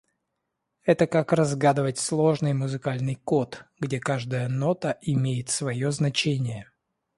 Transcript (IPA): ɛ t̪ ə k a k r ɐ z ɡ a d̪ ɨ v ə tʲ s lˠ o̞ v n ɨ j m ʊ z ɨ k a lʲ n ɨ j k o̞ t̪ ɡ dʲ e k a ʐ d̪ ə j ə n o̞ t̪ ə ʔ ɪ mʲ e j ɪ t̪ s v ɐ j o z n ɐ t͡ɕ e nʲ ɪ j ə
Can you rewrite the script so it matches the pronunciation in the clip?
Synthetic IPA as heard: ɛ t̪ ə k a k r ɐ z ɡ a d̪ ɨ v ə tʲ s lˠ o̞ ʐ n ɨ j m ʊ z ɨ k a lʲ n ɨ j k o̞ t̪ ɡ dʲ e k a ʐ d̪ ə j ə n o̞ t̪ ə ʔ ɪ mʲ e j ɪ t̪ s v ɐ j o z n ɐ t͡ɕ e nʲ ɪ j ə